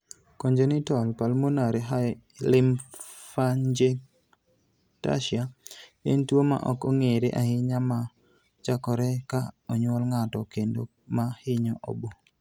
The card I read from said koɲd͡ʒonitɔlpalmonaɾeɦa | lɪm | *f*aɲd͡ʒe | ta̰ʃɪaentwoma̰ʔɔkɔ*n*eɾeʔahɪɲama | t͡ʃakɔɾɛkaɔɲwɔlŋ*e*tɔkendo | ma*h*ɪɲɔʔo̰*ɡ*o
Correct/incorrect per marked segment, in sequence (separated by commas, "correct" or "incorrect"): correct, incorrect, incorrect, correct, incorrect